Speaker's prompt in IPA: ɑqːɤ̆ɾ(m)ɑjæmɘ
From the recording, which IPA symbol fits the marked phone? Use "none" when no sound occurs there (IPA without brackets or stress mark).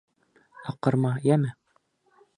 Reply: m